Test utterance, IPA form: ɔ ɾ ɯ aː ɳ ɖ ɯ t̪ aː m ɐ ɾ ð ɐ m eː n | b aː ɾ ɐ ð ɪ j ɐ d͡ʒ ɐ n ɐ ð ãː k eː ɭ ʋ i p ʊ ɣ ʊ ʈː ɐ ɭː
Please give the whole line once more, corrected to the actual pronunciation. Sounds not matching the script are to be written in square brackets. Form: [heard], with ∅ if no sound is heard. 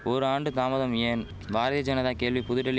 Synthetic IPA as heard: ɔ ɾ ɯ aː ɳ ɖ ɯ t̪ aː m ɐ [∅] ð ɐ m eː n | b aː ɾ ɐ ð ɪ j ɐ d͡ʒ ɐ n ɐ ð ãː k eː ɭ ʋ i p ʊ [ð] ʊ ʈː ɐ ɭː